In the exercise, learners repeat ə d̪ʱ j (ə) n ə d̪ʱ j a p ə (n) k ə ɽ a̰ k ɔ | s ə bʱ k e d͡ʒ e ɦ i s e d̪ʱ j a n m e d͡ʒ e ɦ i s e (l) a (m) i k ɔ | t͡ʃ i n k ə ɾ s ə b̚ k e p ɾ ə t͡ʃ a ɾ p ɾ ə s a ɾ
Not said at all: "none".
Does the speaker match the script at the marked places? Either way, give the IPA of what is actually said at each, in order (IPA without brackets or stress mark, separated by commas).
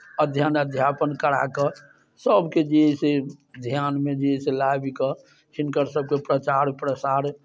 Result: a, n, l, b